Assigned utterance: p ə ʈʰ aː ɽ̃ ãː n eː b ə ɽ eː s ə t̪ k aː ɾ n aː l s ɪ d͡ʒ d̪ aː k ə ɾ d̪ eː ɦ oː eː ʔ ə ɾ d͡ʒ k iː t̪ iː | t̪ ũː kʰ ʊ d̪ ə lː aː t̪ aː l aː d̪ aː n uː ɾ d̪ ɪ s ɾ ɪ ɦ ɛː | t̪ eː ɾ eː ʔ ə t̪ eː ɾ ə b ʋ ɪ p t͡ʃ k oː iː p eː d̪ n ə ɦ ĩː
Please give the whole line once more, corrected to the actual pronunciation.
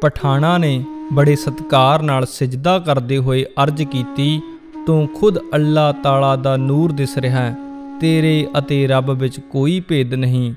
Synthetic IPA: p ə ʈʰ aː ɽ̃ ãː n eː b ə ɽ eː s ə t̪ k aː ɾ n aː l s ɪ d͡ʒ d̪ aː k ə ɾ d̪ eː ɦ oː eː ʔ ə ɾ d͡ʒ k iː t̪ iː | t̪ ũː kʰ ʊ d̪ ə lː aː t̪ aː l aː d̪ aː n uː ɾ d̪ ɪ s ɾ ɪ ɦ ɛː | t̪ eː ɾ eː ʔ ə t̪ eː ɾ ə b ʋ ɪ t͡ʃ k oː iː p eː d̪ n ə ɦ ĩː